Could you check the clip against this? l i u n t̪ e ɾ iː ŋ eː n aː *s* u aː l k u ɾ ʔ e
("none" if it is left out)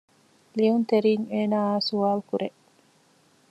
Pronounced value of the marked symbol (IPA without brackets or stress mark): s